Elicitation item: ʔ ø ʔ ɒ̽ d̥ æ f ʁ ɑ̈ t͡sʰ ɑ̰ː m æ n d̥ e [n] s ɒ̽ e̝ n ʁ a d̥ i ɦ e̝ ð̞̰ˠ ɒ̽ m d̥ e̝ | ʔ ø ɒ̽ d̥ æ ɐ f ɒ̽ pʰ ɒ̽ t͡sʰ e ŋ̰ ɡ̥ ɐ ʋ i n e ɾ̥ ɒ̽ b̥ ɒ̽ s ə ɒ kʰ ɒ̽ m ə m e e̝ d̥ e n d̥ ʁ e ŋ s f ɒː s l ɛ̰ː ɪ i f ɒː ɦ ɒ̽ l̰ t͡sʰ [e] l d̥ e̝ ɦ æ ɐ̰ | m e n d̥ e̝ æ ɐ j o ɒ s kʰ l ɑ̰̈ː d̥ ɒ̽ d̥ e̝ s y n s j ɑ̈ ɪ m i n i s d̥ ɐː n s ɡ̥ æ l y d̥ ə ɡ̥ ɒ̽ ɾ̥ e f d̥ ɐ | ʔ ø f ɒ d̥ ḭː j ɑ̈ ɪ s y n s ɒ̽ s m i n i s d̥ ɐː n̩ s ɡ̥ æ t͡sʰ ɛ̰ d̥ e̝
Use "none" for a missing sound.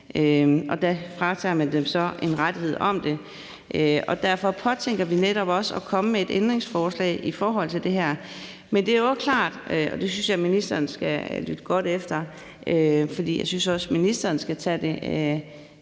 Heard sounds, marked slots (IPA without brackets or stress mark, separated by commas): m, e